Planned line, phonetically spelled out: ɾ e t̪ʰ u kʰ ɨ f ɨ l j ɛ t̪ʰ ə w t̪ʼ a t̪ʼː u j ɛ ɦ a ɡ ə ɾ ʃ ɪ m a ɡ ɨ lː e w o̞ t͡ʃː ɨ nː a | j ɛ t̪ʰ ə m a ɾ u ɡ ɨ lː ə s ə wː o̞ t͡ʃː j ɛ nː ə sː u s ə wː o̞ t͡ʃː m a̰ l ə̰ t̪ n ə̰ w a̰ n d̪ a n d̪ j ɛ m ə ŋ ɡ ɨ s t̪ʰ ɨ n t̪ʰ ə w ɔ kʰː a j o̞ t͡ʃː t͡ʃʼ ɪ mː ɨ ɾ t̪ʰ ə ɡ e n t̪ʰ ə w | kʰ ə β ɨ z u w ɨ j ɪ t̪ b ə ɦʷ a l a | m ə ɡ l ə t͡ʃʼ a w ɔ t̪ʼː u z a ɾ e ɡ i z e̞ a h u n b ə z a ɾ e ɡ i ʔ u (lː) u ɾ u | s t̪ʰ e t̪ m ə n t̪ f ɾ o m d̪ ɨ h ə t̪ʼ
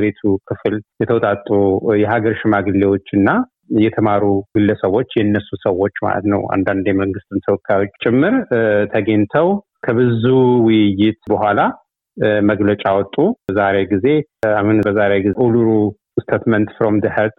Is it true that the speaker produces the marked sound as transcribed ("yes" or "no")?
no